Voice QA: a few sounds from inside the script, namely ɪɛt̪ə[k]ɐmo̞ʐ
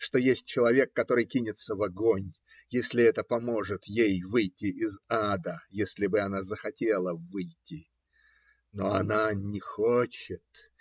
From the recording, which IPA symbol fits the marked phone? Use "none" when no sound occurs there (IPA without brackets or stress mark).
p